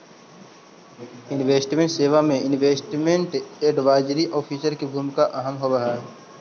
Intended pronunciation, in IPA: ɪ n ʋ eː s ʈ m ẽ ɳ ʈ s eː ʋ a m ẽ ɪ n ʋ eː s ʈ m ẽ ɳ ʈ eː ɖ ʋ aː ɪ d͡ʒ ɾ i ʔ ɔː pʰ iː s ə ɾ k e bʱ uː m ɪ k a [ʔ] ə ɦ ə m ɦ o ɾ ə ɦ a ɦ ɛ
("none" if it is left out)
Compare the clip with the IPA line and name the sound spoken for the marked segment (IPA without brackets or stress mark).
ʔ